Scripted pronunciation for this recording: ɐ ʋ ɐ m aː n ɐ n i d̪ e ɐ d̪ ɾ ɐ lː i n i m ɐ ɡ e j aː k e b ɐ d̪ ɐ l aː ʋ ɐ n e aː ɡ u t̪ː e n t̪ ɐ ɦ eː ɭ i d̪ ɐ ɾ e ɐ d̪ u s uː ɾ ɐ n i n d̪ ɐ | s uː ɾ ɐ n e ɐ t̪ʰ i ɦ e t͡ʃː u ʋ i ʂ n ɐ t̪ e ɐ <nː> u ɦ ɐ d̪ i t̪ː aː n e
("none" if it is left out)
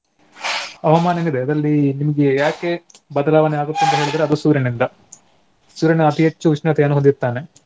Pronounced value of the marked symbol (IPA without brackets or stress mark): n